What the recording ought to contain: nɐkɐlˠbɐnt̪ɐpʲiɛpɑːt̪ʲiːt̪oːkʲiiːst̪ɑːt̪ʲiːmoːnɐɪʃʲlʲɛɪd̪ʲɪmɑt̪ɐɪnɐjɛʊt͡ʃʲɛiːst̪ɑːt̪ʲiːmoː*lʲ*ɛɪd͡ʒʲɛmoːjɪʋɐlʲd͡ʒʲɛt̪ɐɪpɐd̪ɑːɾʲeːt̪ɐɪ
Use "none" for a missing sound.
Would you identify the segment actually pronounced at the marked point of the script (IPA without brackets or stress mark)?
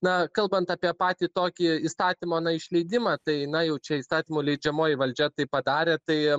lʲ